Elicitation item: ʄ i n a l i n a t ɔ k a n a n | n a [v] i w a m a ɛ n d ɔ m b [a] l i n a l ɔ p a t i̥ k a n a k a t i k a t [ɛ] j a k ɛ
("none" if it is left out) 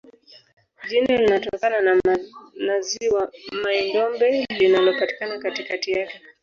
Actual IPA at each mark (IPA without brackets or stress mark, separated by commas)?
z, ɛ, i